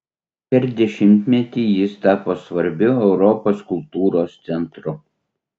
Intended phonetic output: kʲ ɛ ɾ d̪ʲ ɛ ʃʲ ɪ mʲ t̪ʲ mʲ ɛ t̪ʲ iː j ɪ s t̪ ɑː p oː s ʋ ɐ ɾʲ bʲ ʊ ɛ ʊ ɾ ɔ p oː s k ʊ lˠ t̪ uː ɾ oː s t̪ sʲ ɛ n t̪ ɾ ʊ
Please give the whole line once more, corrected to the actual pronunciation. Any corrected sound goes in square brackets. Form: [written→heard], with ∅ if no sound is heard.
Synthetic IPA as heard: [kʲ→pʲ] ɛ ɾ d̪ʲ ɛ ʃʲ ɪ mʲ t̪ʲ mʲ ɛ t̪ʲ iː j ɪ s t̪ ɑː p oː s ʋ ɐ ɾʲ bʲ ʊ ɛ ʊ ɾ ɔ p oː s k ʊ lˠ t̪ uː ɾ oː s t̪ sʲ ɛ n t̪ ɾ ʊ

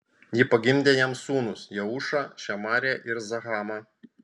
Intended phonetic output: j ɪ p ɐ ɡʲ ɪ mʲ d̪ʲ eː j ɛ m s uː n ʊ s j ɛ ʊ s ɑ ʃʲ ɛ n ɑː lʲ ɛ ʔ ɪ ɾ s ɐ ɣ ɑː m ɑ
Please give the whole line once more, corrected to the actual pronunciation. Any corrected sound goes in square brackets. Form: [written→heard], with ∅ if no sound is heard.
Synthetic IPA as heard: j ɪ p ɐ ɡʲ ɪ mʲ d̪ʲ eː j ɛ m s uː n ʊ s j ɛ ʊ [s→ʃ] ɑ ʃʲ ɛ [n→m] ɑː [lʲ→ɾʲ] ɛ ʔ ɪ ɾ [s→z] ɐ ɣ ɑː m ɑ

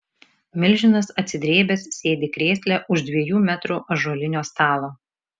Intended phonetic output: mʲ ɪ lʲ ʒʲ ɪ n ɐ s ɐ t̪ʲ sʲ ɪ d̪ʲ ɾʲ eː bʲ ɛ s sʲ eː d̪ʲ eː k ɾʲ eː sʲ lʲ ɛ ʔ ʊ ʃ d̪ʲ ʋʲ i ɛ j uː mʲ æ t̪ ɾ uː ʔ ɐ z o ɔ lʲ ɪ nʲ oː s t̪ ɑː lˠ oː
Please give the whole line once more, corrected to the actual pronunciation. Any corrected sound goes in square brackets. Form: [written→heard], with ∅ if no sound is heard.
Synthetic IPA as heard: mʲ ɪ lʲ ʒʲ ɪ n ɐ s ɐ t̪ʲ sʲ ɪ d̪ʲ ɾʲ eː bʲ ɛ s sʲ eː d̪ʲ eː k ɾʲ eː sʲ lʲ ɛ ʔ ʊ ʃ d̪ʲ ʋʲ i ɛ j uː mʲ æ t̪ ɾ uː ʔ ɐ [z→ʒ] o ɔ lʲ ɪ nʲ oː s t̪ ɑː lˠ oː

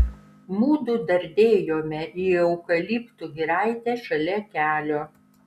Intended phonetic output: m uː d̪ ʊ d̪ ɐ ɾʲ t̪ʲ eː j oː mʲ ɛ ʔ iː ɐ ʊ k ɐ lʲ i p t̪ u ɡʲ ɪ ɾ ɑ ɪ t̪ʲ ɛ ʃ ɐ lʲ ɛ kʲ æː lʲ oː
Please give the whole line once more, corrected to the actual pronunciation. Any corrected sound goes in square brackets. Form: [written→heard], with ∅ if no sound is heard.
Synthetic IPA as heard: m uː d̪ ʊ d̪ ɐ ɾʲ [t̪ʲ→d̪ʲ] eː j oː mʲ ɛ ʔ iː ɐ ʊ k ɐ lʲ i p t̪ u ɡʲ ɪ ɾ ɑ ɪ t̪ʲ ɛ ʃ ɐ lʲ ɛ kʲ æː lʲ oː

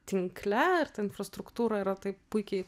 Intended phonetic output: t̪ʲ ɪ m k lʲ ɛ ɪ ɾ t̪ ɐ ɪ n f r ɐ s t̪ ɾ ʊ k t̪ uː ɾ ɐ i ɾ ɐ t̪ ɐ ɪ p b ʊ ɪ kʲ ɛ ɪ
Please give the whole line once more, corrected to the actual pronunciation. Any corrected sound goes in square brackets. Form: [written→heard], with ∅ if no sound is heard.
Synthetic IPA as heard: t̪ʲ ɪ [m→ŋ] k lʲ ɛ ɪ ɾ t̪ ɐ ɪ n f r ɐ s t̪ ɾ ʊ k t̪ uː ɾ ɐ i ɾ ɐ t̪ ɐ ɪ p [b→p] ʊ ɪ kʲ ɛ ɪ

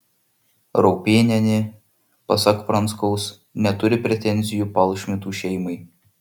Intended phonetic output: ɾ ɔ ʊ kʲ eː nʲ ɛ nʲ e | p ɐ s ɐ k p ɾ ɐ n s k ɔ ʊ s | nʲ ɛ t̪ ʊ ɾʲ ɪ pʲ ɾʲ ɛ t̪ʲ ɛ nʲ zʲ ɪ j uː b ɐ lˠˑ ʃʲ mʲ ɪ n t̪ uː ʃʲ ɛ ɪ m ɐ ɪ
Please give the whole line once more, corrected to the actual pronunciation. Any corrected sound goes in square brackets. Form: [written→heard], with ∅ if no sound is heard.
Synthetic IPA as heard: ɾ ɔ ʊ [kʲ→pʲ] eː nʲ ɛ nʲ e | p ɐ s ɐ k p ɾ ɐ n s k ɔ ʊ s | nʲ ɛ t̪ ʊ ɾʲ ɪ pʲ ɾʲ ɛ t̪ʲ ɛ nʲ zʲ ɪ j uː [b→p] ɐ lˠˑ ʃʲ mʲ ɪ [n→∅] t̪ uː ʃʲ ɛ ɪ m ɐ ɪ

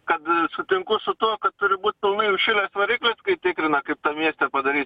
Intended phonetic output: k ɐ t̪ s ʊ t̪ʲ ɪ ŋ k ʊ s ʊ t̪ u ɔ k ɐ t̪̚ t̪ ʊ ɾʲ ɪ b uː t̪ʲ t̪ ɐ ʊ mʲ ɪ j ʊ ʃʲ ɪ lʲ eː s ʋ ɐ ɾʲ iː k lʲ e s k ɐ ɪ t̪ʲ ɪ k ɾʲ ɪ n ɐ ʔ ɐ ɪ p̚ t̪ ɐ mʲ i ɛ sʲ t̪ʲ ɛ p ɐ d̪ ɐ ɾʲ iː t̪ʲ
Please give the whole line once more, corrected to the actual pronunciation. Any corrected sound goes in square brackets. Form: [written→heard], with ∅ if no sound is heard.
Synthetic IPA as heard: k ɐ t̪ s ʊ t̪ʲ ɪ ŋ k ʊ s ʊ t̪ u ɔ k ɐ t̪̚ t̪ ʊ ɾʲ ɪ b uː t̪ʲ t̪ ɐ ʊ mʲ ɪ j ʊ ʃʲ ɪ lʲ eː s ʋ ɐ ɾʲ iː k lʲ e s k ɐ ɪ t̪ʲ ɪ k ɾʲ ɪ n ɐ [ʔ→k] ɐ ɪ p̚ t̪ ɐ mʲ i ɛ sʲ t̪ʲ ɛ p ɐ d̪ ɐ ɾʲ iː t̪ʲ

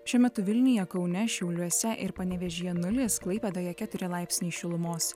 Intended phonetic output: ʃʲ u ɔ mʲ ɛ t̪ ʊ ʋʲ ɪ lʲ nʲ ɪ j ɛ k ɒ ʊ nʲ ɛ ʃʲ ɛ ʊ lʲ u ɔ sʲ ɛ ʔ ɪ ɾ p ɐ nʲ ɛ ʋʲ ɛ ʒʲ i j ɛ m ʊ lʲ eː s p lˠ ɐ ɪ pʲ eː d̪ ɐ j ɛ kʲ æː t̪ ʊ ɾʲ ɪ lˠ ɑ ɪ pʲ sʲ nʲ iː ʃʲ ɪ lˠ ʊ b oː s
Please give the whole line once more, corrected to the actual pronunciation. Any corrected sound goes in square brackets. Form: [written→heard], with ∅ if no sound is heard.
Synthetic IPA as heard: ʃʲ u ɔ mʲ ɛ t̪ ʊ ʋʲ ɪ lʲ nʲ ɪ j ɛ k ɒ ʊ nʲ ɛ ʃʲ ɛ ʊ lʲ u ɔ sʲ ɛ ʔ ɪ ɾ p ɐ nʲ ɛ ʋʲ ɛ ʒʲ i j ɛ [m→n] ʊ lʲ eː s [p→k] lˠ ɐ ɪ pʲ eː d̪ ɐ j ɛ kʲ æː t̪ ʊ ɾʲ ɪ lˠ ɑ ɪ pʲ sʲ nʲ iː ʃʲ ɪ lˠ ʊ [b→m] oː s

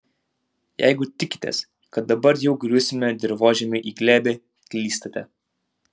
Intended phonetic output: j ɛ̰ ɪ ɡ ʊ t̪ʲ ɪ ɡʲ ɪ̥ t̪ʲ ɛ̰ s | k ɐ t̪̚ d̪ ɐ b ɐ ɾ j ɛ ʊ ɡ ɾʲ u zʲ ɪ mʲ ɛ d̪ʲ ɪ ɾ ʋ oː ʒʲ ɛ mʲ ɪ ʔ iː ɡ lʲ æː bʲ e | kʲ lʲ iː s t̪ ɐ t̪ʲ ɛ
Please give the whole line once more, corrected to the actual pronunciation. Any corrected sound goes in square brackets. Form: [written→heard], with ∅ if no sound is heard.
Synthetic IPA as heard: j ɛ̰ ɪ ɡ ʊ t̪ʲ ɪ [ɡʲ→kʲ] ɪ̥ t̪ʲ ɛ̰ s | k ɐ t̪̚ d̪ ɐ b ɐ ɾ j ɛ ʊ ɡ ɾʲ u [zʲ→sʲ] ɪ mʲ ɛ d̪ʲ ɪ ɾ ʋ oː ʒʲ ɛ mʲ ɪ ʔ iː ɡ lʲ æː bʲ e | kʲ lʲ iː s t̪ ɐ t̪ʲ ɛ

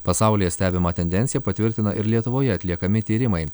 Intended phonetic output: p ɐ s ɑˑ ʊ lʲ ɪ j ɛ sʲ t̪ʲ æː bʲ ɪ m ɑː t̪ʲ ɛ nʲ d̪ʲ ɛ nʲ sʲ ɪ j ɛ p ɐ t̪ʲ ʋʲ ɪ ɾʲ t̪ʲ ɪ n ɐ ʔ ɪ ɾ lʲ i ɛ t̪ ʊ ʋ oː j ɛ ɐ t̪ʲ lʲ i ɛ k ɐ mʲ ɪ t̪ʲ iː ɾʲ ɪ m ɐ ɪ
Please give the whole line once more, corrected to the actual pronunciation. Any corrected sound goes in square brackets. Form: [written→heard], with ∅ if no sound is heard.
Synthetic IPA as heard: p ɐ s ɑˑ ʊ lʲ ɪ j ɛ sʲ t̪ʲ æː bʲ ɪ m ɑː t̪ʲ ɛ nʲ d̪ʲ ɛ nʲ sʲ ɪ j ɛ p ɐ t̪ʲ ʋʲ ɪ ɾʲ t̪ʲ ɪ n ɐ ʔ ɪ ɾ lʲ i ɛ t̪ ʊ ʋ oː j ɛ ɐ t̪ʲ lʲ i ɛ k ɐ mʲ ɪ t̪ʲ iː ɾʲ ɪ m ɐ ɪ

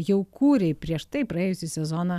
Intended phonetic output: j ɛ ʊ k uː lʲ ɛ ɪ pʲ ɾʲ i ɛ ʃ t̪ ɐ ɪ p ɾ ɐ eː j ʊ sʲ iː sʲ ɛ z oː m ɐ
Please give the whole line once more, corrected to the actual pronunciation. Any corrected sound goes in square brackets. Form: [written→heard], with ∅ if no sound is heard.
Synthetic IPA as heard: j ɛ ʊ k uː [lʲ→ɾʲ] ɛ ɪ pʲ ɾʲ i ɛ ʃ t̪ ɐ ɪ p ɾ ɐ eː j ʊ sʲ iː sʲ ɛ z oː [m→n] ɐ

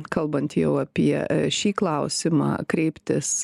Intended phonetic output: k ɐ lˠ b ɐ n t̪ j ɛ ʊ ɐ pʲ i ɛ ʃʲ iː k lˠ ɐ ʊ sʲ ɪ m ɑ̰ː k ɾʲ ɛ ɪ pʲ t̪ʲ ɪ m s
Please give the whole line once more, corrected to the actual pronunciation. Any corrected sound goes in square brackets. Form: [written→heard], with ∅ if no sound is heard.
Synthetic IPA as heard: k ɐ lˠ b ɐ n t̪ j ɛ ʊ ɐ pʲ i ɛ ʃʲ iː k lˠ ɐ ʊ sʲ ɪ m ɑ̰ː k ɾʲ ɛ ɪ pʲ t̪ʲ ɪ [m→∅] s

